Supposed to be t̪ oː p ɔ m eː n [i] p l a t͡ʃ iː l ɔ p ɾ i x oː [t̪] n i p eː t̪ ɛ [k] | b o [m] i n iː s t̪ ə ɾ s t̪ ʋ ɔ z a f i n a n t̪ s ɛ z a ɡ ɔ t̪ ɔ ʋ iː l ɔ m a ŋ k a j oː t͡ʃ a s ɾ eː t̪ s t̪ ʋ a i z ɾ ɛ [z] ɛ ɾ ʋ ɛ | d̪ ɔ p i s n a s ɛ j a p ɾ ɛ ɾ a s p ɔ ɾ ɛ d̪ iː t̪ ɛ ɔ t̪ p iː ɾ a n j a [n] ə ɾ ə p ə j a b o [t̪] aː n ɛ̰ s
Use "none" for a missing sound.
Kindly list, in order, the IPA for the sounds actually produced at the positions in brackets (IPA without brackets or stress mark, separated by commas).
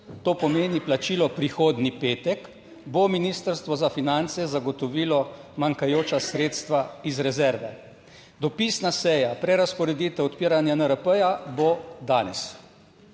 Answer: i, d̪, k, m, z, n, d̪